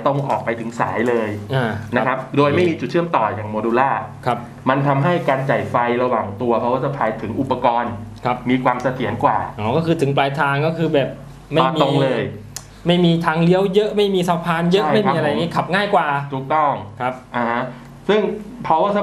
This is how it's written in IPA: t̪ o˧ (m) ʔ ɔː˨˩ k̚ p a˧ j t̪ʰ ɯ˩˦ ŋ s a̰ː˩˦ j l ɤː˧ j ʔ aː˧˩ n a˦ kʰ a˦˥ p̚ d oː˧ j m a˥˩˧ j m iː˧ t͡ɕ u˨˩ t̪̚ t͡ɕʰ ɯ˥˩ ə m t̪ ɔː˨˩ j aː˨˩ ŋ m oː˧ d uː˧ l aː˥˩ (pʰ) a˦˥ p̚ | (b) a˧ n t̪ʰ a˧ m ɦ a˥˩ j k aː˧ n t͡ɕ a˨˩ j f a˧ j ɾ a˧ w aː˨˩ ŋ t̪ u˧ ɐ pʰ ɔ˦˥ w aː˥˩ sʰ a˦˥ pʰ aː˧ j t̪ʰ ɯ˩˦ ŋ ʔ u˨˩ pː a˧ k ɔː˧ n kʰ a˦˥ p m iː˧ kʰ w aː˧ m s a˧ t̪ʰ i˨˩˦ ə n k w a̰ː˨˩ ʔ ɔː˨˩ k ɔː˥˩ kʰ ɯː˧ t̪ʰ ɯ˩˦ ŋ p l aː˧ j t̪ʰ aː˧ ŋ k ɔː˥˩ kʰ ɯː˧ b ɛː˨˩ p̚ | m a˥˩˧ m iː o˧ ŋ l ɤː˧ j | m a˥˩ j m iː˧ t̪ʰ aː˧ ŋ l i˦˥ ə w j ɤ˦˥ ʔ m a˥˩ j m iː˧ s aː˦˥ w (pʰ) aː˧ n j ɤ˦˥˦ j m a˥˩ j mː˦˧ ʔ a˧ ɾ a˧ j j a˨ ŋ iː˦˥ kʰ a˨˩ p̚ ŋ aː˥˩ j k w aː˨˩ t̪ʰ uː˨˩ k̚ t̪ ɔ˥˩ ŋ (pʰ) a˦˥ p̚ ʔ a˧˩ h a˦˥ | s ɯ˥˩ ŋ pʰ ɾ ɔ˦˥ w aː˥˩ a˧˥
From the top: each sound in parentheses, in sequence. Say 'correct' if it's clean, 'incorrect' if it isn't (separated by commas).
incorrect, incorrect, incorrect, correct, incorrect